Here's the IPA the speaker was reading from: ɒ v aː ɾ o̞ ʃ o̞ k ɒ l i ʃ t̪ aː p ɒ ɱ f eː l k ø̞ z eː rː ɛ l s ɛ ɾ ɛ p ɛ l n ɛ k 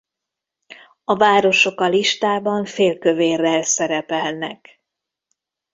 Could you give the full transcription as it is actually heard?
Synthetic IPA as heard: ɒ v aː ɾ o̞ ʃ o̞ k ɒ l i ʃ t̪ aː b ɒ ɱ f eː l k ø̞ v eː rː ɛ l s ɛ ɾ ɛ p ɛ l n ɛ k